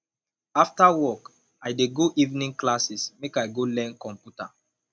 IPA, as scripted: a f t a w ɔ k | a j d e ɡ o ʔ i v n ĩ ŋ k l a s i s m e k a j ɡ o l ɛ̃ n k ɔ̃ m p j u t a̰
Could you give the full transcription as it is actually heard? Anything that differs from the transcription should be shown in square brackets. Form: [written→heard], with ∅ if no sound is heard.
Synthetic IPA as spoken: a f t a w ɔ k | a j d e ɡ o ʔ i v n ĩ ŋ k l a s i s m e k a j ɡ o l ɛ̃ n k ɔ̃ m p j u t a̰